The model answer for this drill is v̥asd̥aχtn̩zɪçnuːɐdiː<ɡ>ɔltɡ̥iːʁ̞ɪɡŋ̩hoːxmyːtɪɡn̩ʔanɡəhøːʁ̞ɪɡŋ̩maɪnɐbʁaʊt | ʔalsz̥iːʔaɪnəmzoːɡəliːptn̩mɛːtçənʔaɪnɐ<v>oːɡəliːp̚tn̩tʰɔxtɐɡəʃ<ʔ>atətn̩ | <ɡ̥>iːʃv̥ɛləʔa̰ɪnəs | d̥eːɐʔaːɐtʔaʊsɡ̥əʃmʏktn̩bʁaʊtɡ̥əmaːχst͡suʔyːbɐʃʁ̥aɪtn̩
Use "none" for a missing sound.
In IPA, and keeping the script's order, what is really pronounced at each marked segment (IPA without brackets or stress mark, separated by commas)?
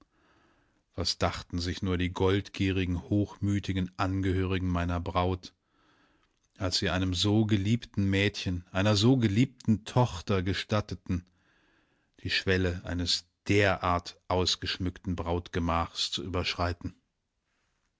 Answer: ɡ, z, t, d̥